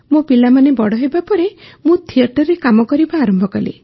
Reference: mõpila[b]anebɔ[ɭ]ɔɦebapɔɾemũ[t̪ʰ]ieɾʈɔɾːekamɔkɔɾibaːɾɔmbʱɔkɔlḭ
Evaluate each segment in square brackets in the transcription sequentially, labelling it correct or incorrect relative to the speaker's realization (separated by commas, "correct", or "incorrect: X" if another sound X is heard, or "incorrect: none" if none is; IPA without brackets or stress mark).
incorrect: m, incorrect: ɽ, correct